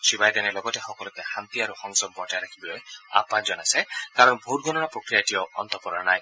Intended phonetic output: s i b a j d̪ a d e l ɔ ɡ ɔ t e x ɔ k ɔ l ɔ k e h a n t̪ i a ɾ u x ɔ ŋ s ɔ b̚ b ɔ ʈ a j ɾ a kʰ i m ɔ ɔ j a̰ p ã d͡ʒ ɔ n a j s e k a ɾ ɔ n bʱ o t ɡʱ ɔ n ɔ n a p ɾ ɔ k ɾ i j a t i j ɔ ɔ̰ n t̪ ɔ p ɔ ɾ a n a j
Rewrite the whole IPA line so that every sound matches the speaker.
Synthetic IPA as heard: s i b a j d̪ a n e l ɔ ɡ ɔ t e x ɔ k ɔ l ɔ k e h a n t̪ i a ɾ u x ɔ ŋ s ɔ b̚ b ɔ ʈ a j ɾ a kʰ i b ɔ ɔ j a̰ p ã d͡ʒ ɔ n a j s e k a ɾ ɔ n bʱ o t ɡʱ ɔ n ɔ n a p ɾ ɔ k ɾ i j a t i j ɔ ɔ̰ n t̪ ɔ p ɔ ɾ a n a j